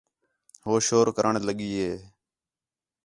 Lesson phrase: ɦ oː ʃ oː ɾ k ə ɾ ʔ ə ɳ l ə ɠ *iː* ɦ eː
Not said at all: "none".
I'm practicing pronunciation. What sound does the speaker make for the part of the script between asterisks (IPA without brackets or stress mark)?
iː